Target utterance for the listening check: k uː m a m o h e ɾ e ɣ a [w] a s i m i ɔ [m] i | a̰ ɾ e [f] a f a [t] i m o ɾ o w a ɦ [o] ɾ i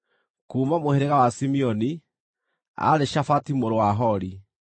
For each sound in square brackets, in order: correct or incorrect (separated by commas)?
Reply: correct, incorrect, incorrect, correct, incorrect